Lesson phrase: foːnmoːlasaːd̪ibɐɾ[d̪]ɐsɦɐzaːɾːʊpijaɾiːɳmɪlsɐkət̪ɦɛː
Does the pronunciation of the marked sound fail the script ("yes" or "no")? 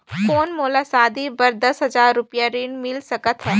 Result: no